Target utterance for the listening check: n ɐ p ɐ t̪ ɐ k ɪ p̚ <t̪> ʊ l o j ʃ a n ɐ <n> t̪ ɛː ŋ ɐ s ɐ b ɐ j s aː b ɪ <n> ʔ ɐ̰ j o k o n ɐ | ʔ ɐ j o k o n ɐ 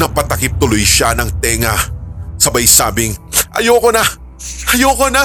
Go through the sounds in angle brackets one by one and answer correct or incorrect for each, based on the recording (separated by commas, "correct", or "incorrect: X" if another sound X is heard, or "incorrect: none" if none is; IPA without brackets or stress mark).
correct, incorrect: ŋ, incorrect: ŋ